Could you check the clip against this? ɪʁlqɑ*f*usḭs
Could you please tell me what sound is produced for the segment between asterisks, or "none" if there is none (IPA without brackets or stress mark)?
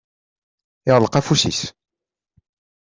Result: f